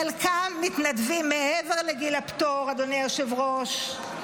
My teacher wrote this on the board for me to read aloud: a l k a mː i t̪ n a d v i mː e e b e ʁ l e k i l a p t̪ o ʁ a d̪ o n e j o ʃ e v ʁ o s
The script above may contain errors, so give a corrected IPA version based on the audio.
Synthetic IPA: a l k a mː i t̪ n a d v i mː e e v e ʁ l e ɡ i l a p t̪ o ʁ a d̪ o n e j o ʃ e v ʁ o ʃ